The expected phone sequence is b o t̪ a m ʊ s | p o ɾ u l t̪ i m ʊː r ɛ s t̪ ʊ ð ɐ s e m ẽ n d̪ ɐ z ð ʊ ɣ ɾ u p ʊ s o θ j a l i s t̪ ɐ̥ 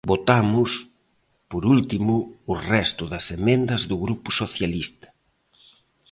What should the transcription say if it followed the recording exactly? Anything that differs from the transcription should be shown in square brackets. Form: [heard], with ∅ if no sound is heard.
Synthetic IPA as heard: b o t̪ a m ʊ s | p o ɾ u l t̪ i m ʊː r ɛ s t̪ ʊ ð ɐ s e m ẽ n d̪ ɐ z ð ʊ ɣ ɾ u p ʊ s o θ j a l i s t̪ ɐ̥